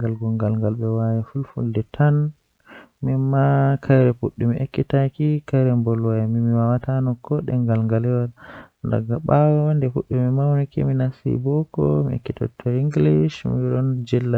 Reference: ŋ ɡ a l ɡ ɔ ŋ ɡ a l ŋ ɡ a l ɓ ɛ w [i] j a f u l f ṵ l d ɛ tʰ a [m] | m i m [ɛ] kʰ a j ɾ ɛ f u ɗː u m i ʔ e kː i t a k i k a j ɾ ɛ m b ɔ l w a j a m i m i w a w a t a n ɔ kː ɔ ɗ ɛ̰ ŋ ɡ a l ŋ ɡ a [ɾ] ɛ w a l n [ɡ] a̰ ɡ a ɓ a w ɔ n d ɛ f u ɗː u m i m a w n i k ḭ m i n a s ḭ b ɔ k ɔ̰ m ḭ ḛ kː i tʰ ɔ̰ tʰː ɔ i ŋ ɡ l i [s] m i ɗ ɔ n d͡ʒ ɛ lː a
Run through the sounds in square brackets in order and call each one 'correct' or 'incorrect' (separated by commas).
incorrect, incorrect, incorrect, incorrect, incorrect, incorrect